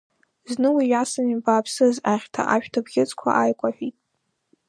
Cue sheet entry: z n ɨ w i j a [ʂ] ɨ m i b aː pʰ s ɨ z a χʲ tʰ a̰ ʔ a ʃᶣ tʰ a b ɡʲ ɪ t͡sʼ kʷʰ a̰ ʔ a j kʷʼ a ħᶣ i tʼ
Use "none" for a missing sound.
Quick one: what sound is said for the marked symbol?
s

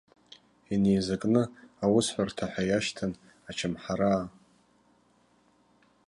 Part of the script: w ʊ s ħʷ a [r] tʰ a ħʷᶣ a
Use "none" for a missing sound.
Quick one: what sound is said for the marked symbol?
r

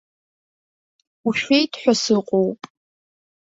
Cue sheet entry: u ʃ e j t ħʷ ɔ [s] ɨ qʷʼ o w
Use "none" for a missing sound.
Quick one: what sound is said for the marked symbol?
s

